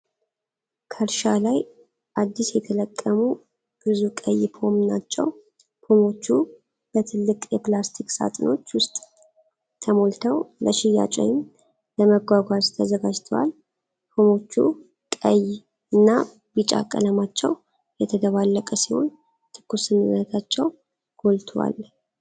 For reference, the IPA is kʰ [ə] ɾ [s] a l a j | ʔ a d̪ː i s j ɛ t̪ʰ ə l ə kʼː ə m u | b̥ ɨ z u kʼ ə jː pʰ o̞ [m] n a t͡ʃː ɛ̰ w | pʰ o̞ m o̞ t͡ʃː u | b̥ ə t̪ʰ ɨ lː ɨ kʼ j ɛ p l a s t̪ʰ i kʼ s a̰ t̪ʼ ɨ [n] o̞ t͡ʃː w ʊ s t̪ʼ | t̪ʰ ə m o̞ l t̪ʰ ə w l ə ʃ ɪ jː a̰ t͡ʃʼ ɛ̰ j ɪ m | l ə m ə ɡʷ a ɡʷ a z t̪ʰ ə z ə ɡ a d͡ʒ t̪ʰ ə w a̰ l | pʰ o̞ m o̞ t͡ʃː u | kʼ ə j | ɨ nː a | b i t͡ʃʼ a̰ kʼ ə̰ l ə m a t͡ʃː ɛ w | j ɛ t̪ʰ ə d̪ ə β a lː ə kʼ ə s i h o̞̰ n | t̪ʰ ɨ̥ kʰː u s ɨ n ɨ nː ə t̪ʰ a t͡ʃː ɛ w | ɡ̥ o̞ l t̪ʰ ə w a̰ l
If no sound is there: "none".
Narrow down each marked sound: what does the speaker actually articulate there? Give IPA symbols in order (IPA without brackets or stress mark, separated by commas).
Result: ə, ʃ, m, n